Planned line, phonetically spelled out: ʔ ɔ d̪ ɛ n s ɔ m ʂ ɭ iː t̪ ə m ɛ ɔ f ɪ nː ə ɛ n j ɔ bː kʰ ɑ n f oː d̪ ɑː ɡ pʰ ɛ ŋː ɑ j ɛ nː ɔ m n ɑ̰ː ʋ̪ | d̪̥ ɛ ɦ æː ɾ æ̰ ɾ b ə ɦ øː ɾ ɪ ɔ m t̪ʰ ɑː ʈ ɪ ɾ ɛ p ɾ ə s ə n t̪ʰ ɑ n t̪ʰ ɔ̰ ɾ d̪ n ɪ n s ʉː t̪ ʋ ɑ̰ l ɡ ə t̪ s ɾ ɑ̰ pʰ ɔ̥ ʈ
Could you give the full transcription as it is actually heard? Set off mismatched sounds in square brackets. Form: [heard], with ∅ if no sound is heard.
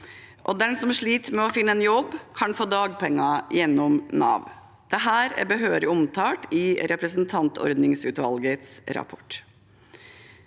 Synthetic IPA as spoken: ʔ ɔ d̪ ɛ n s ɔ m ʂ ɭ iː t̪ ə m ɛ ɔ f ɪ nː ə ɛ n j ɔ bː kʰ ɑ n f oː d̪ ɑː ɡ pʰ ɛ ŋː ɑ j ɛ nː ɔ m n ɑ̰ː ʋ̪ | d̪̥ ɛ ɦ æː ɾ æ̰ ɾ b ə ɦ øː ɾ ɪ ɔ m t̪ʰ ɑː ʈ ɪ ɾ ɛ p ɾ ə s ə n t̪ʰ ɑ n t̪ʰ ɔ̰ ɾ d̪ n ɪ [ŋ] s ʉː t̪ ʋ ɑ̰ l ɡ ə t̪ s ɾ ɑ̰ pʰ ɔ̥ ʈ

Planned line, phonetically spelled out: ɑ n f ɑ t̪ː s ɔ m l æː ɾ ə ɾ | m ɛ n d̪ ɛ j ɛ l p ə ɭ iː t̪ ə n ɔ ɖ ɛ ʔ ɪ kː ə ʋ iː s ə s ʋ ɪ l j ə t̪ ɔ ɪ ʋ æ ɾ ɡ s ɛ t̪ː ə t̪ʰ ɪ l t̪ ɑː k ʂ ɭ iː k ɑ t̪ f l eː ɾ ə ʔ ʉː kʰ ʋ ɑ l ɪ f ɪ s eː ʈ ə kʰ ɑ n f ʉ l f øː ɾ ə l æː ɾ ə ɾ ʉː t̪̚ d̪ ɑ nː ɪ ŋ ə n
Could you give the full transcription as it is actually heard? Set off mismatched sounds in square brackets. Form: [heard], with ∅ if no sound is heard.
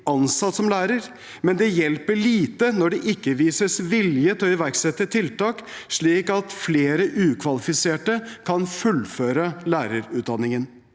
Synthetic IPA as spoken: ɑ n [s] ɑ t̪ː s ɔ m l æː ɾ ə ɾ | m ɛ n d̪ ɛ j ɛ l p ə ɭ iː t̪ ə n ɔ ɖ ɛ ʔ ɪ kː ə ʋ iː s ə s ʋ ɪ l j ə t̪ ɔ ɪ ʋ æ ɾ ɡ s ɛ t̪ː ə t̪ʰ ɪ l t̪ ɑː k ʂ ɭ iː k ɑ t̪ f l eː ɾ ə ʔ ʉː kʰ ʋ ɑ l ɪ f ɪ s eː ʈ ə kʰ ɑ n f ʉ l f øː ɾ ə l æː ɾ ə ɾ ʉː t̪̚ d̪ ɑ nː ɪ ŋ ə n

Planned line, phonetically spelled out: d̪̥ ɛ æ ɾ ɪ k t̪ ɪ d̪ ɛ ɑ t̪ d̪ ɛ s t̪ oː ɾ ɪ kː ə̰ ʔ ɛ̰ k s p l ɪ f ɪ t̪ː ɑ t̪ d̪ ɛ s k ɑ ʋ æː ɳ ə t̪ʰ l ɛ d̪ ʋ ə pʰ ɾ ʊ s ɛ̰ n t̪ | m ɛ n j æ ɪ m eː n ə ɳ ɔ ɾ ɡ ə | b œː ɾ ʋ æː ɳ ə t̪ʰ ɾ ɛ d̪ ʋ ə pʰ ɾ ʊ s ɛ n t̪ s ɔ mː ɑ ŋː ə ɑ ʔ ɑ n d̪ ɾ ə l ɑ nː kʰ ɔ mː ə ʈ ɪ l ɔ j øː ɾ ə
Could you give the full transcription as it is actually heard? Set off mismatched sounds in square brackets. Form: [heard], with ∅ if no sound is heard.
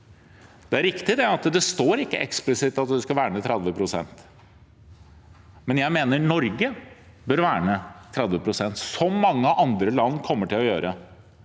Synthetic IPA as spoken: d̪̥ ɛ æ ɾ ɪ k t̪ ɪ d̪ ɛ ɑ t̪ d̪ ɛ s t̪ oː ɾ ɪ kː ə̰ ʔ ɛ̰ k s p l ɪ [s] ɪ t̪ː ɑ t̪ d̪ ɛ s k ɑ ʋ æː ɳ ə t̪ʰ [ɾ] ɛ d̪ ʋ ə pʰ ɾ ʊ s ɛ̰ n t̪ | m ɛ n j æ ɪ m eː n ə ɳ ɔ ɾ ɡ ə | b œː ɾ ʋ æː ɳ ə t̪ʰ ɾ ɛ d̪ ʋ ə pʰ ɾ ʊ s ɛ n t̪ s ɔ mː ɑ ŋː ə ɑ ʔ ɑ n d̪ ɾ ə l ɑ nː kʰ ɔ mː ə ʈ ɪ l ɔ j øː ɾ ə

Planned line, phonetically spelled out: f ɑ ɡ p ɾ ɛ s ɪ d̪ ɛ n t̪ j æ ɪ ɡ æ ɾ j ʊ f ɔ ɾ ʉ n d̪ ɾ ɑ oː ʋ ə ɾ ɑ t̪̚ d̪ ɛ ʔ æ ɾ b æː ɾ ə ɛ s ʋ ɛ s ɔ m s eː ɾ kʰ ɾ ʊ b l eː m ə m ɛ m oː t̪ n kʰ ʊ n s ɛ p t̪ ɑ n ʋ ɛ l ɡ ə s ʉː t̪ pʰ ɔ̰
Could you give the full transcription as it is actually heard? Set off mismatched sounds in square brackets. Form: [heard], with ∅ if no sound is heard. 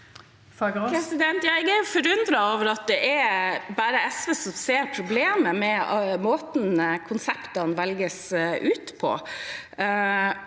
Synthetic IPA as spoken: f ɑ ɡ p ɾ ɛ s ɪ d̪ ɛ n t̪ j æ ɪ ɡ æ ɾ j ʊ f ɔ ɾ ʉ n d̪ ɾ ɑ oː ʋ ə ɾ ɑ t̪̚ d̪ ɛ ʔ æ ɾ b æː ɾ ə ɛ s ʋ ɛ s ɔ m s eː ɾ [pʰ] ɾ ʊ b l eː m ə m ɛ m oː t̪ n kʰ ʊ n s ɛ p t̪ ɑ n ʋ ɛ l ɡ ə s ʉː t̪ pʰ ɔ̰

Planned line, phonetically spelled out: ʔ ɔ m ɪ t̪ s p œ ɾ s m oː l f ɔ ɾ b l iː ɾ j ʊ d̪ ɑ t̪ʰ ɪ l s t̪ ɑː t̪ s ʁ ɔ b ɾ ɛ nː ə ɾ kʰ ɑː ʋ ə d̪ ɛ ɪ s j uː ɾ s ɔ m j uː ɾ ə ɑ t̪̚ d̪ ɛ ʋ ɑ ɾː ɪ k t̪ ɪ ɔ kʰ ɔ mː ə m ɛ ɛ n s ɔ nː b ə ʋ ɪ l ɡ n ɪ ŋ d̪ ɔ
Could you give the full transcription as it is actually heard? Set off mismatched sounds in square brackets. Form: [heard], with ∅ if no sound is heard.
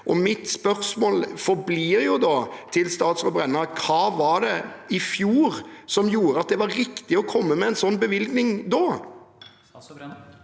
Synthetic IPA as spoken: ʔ ɔ m ɪ t̪ s p œ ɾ s m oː l f ɔ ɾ b l iː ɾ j ʊ d̪ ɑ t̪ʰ ɪ l s t̪ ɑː t̪ s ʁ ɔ b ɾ ɛ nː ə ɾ kʰ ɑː ʋ [ɑ] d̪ ɛ ɪ [f] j uː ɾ s ɔ m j uː ɾ ə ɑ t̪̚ d̪ ɛ ʋ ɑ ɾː ɪ k t̪ ɪ ɔ kʰ ɔ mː ə m ɛ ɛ n s ɔ nː b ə ʋ ɪ l ɡ n ɪ ŋ d̪ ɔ

